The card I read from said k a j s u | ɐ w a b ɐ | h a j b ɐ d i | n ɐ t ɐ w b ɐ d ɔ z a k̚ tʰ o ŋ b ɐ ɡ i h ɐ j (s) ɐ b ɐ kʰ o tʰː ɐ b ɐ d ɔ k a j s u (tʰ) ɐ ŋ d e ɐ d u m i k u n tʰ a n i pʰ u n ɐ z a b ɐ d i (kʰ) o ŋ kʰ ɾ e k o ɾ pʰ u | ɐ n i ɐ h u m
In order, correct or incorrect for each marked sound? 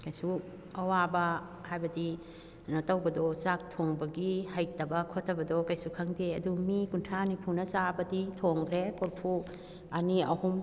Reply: incorrect: t, incorrect: kʰ, incorrect: tʰ

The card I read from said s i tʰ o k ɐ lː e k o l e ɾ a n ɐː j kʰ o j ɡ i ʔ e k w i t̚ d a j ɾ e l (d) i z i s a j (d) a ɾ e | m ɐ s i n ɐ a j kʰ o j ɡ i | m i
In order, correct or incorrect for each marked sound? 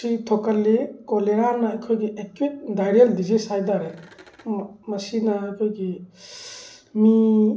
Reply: correct, correct

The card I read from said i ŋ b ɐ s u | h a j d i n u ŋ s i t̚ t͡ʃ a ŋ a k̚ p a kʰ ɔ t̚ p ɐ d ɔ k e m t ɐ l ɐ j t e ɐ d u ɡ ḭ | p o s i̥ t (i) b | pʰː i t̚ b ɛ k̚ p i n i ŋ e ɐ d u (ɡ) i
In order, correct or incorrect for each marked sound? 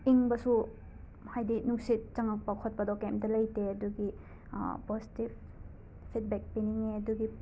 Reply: correct, correct

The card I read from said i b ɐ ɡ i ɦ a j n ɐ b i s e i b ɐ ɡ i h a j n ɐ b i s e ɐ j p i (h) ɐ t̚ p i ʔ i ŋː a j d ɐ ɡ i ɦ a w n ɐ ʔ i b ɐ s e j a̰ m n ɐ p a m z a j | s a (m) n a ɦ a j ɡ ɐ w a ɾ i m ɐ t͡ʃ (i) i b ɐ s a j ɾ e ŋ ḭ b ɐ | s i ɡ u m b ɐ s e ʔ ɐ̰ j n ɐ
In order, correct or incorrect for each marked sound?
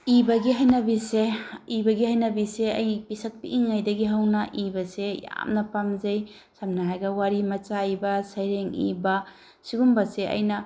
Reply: incorrect: s, correct, incorrect: a

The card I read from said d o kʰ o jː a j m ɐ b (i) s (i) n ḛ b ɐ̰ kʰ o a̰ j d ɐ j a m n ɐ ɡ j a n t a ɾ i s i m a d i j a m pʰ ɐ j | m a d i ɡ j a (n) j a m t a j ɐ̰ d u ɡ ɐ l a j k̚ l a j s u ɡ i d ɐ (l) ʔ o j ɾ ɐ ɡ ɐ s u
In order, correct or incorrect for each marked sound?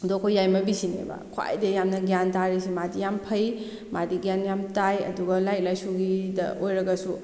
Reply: correct, correct, correct, incorrect: none

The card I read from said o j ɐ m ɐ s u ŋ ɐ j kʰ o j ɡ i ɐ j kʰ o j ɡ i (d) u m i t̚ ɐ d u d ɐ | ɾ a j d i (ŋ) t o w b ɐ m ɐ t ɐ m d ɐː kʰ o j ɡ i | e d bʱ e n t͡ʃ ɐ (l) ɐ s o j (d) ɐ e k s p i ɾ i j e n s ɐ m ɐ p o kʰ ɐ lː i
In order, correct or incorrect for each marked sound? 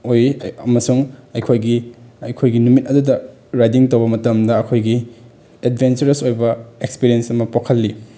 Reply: incorrect: n, correct, incorrect: ɾ, incorrect: b

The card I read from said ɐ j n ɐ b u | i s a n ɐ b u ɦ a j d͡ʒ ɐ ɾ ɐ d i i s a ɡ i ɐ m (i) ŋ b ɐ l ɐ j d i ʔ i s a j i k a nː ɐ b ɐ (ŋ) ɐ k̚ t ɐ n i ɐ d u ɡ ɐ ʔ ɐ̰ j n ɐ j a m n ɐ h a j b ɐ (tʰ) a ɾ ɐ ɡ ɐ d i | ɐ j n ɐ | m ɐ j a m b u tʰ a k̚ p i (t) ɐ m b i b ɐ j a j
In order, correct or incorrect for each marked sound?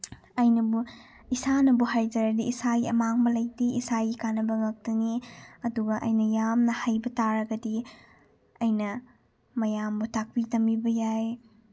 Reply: incorrect: a, correct, incorrect: t, correct

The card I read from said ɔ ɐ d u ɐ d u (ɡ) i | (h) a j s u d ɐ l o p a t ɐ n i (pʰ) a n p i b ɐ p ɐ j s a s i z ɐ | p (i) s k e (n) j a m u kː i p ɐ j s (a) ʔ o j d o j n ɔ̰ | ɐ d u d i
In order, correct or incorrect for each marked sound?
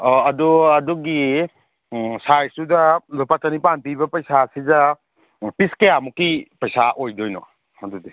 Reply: correct, incorrect: s, incorrect: p, correct, incorrect: none, correct

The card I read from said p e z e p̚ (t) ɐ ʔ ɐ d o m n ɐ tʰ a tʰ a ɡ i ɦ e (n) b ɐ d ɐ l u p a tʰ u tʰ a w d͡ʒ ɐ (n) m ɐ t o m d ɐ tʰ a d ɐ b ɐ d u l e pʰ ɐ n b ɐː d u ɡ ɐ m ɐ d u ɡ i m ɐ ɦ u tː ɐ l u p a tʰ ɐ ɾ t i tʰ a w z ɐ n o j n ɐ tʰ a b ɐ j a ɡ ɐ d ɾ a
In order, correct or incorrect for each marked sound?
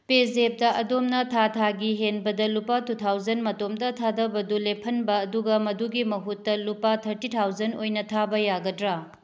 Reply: incorrect: d, correct, correct

